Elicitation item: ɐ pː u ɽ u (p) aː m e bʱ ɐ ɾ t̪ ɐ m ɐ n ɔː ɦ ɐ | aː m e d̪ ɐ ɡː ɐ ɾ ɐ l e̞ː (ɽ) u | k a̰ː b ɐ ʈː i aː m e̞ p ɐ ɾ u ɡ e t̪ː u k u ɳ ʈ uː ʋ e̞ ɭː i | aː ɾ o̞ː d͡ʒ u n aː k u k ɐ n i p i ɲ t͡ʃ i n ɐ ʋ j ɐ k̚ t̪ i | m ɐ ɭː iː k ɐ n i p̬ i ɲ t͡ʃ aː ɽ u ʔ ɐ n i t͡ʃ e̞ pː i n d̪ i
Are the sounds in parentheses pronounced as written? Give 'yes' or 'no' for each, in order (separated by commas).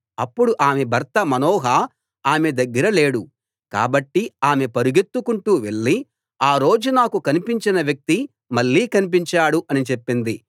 no, yes